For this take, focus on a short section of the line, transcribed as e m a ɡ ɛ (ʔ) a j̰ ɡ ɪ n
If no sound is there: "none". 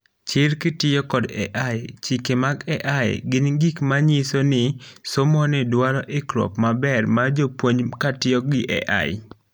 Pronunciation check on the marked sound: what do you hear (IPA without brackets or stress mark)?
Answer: ʔ